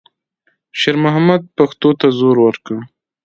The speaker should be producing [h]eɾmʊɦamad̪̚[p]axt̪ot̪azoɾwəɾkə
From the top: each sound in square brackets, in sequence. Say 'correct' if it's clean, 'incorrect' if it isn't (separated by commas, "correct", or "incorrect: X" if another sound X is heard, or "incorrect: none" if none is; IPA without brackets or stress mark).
incorrect: ʃ, correct